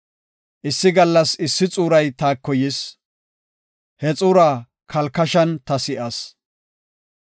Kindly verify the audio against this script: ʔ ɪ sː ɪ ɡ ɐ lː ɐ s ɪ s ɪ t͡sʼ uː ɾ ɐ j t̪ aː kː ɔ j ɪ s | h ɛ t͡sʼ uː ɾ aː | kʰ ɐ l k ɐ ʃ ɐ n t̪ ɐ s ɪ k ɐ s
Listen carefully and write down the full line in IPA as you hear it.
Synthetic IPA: ʔ ɪ sː ɪ ɡ ɐ lː ɐ s ɪ sː ɪ t͡sʼ uː ɾ ɐ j t̪ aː kː ɔ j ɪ s | h ɛ t͡sʼ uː ɾ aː | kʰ ɐ l k ɐ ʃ ɐ n t̪ ɐ s ɪ ʔ ɐ s